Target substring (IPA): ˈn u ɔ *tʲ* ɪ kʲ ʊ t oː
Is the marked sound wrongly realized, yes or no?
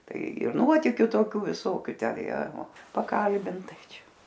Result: no